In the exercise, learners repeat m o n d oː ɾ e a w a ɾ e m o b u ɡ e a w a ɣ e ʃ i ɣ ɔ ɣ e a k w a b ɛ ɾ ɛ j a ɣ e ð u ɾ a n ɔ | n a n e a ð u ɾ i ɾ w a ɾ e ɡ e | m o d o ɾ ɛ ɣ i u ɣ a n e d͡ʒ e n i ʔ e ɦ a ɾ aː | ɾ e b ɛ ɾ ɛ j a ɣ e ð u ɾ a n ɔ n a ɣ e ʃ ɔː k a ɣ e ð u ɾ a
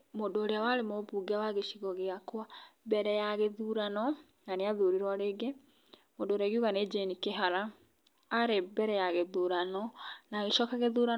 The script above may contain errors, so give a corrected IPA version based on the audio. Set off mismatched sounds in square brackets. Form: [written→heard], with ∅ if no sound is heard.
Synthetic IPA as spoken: m o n d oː ɾ e a w a ɾ e m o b u ɡ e a w a ɣ e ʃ i ɣ ɔ ɣ e a k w a b ɛ ɾ ɛ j a ɣ e ð u ɾ a n ɔ | n a n e a ð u ɾ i ɾ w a ɾ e ɡ e | m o d o ɾ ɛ ɣ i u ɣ a n e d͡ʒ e n i [ʔ→k] e ɦ a ɾ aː | ɾ e b ɛ ɾ ɛ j a ɣ e ð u ɾ a n ɔ n a ɣ e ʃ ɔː k a ɣ e ð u ɾ a

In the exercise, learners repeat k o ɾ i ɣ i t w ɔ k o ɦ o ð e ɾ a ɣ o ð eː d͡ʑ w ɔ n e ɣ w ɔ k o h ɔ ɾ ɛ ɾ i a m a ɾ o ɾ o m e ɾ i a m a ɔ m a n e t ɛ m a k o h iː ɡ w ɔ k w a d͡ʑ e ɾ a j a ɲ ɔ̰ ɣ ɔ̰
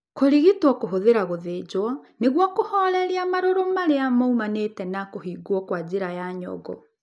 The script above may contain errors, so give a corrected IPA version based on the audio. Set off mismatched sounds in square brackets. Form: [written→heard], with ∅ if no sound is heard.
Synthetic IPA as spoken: k o ɾ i ɣ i t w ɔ k o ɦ o ð e ɾ a ɣ o ð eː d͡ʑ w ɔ n e ɣ w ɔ k o h ɔ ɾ ɛ ɾ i a m a ɾ o ɾ o m [e→a] ɾ [i→e] a m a [ɔ→u] m a n e t ɛ [m→n] a k o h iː ɡ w ɔ k w a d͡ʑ e ɾ a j a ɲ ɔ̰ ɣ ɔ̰

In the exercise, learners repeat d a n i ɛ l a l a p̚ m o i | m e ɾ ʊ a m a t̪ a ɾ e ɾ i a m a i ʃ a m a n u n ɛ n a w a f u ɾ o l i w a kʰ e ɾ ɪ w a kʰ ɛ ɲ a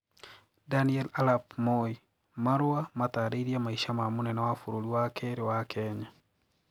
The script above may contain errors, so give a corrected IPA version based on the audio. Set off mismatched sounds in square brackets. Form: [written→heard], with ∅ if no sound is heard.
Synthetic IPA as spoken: d a n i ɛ l a l a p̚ m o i | m [e→a] ɾ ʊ a m a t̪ a ɾ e ɾ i a m a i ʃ a m a [n→m] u n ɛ n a w a f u ɾ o l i w a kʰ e ɾ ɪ w a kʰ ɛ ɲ a

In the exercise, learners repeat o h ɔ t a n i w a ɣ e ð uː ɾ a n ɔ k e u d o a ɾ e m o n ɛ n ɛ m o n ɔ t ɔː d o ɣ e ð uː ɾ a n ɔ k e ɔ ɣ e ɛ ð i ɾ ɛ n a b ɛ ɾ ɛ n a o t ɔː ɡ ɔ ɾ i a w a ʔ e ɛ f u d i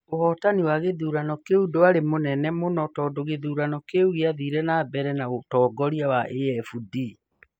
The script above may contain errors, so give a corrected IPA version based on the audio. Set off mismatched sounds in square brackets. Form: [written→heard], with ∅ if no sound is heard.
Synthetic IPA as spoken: o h ɔ t a n i w a ɣ e ð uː ɾ a n ɔ k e u d o a ɾ e m o n ɛ n ɛ m o n ɔ t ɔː d o ɣ e ð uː ɾ a n ɔ k e [ɔ→u] ɣ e [ɛ→a] ð i ɾ ɛ n a b ɛ ɾ ɛ n a o t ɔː ɡ ɔ ɾ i a w a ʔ e ɛ f u d i

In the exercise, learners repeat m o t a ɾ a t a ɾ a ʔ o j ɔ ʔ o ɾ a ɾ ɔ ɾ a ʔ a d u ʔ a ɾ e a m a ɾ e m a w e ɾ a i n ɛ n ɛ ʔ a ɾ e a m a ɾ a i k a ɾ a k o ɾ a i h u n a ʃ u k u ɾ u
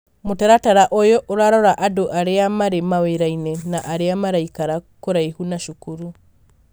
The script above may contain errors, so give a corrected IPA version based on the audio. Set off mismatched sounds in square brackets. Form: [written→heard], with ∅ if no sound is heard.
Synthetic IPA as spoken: m o t a ɾ a t a ɾ a ʔ o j ɔ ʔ o ɾ a ɾ ɔ ɾ a ʔ a d [u→o] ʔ a ɾ e a m a ɾ e m a w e ɾ a i n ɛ n [ɛ→a] ʔ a ɾ e a m a ɾ a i k a ɾ a k o ɾ a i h u n a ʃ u k u ɾ u

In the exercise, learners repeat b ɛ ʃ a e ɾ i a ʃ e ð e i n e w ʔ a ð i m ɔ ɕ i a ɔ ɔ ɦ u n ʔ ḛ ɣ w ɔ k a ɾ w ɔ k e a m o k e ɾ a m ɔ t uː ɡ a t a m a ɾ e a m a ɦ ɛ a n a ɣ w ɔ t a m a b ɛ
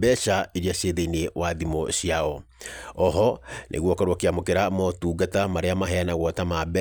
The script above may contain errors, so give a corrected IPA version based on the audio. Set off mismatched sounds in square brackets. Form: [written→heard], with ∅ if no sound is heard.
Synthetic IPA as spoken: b ɛ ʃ a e ɾ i a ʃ e ð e i n e w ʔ a ð i m ɔ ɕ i a ɔ ɔ ɦ [u→ɔ] n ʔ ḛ ɣ w ɔ k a ɾ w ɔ k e a m o k e ɾ a m ɔ t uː ɡ a t a m a ɾ e a m a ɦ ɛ a n a ɣ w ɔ t a m a b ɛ

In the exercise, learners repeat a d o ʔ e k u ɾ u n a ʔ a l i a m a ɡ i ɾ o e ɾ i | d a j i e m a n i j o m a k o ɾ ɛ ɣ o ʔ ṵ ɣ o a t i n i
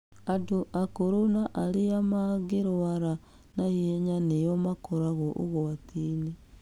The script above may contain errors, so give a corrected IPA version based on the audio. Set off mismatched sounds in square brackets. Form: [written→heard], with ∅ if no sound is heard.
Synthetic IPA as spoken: a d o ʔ [e→a] k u ɾ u n a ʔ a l i a m a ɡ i ɾ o [e→a] ɾ [i→a] | [d→n] a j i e [m→ɲ] a n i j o m a k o ɾ [ɛ→a] ɣ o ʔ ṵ ɣ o a t i n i

